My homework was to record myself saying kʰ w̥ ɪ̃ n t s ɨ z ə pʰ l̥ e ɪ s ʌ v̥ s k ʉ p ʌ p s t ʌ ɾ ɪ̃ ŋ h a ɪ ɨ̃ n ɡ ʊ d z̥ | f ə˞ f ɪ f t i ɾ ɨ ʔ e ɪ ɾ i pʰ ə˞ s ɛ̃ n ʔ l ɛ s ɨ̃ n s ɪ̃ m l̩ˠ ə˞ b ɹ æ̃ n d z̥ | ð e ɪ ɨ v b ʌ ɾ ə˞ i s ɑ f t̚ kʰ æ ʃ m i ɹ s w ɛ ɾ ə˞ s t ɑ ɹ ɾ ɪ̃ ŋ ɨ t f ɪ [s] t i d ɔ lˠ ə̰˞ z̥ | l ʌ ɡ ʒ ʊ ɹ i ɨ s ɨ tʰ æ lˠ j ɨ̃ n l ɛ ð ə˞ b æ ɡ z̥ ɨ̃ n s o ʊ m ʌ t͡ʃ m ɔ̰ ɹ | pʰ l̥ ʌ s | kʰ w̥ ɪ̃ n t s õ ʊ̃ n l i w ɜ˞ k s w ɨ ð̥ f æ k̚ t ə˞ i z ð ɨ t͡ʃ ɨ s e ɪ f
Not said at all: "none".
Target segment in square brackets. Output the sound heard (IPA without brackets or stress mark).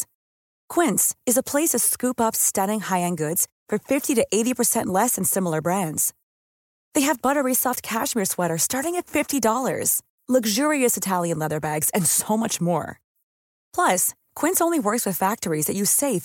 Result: f